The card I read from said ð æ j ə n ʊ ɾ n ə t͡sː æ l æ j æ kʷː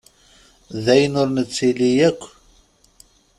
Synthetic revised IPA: ð æ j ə n ʊ ɾ n ə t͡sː i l i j æ kʷː